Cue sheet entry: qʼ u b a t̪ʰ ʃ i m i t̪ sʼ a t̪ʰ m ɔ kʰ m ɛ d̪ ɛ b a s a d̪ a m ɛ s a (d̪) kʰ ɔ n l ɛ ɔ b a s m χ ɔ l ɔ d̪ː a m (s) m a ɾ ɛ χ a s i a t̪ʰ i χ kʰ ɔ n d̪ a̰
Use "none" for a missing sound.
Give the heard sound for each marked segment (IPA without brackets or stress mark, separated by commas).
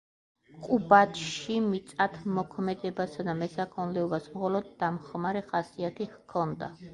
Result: none, χ